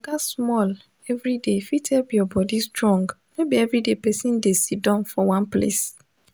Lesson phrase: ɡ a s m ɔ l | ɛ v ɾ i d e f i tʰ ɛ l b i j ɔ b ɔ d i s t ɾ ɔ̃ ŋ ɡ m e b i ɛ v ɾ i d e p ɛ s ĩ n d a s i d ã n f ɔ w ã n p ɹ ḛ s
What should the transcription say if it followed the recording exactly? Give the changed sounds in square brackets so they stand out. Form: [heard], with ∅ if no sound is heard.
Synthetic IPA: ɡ a s m ɔ l | ɛ v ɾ i d e f i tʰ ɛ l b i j ɔ b ɔ d i s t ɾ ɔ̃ ŋ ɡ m e b i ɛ v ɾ i d e p ɛ s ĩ n d [e] s i d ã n f ɔ w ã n p [l] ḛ s